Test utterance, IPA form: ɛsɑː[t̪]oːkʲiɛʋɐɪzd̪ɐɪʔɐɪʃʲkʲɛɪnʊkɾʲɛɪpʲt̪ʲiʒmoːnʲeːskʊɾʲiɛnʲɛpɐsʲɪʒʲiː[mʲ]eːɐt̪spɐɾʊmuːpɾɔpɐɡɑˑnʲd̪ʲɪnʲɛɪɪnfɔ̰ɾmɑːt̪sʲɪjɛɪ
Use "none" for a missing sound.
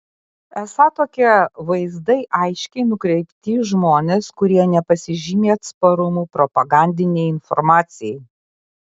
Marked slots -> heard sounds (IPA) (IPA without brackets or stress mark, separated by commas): t̪, mʲ